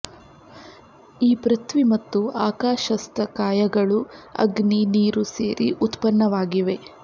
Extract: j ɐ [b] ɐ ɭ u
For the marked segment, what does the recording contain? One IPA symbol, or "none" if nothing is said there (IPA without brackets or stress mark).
ɡ